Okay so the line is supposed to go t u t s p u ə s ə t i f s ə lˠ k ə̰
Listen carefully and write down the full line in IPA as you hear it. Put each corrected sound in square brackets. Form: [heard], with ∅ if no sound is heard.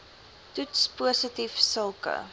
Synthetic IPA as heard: t u t s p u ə s ə t i f s ə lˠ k ə̰